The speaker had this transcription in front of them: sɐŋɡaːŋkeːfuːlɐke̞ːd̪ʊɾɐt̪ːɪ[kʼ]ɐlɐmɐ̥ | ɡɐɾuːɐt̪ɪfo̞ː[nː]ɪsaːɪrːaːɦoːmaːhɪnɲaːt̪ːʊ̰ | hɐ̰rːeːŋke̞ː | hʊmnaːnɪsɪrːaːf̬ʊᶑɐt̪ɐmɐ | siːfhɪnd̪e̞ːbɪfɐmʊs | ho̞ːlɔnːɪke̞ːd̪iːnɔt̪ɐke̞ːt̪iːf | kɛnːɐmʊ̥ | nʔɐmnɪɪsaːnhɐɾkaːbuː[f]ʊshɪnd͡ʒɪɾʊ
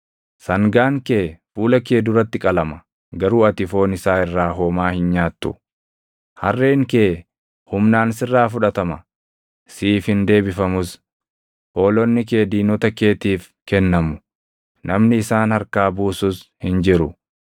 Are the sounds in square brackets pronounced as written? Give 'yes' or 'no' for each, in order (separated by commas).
yes, no, no